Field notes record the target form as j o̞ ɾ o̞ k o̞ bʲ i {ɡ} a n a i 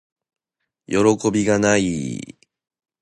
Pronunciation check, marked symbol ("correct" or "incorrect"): correct